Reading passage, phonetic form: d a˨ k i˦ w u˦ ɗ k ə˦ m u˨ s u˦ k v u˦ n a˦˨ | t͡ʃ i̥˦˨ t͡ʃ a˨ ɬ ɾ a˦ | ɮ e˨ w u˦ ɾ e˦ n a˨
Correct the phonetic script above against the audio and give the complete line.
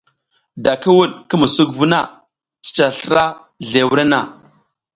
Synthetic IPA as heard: d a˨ k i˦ w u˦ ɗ k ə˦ m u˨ s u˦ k v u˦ n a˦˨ | t͡ʃ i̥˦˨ t͡ʃ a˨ ɬ ɾ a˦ | ɮ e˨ w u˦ ɾ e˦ n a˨